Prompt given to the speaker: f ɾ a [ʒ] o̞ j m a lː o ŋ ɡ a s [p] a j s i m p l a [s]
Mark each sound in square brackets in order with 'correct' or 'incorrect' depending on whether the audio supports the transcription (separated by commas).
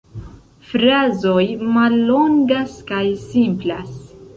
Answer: incorrect, incorrect, correct